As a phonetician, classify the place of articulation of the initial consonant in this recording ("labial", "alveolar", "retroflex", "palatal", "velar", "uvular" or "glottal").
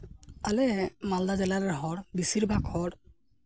alveolar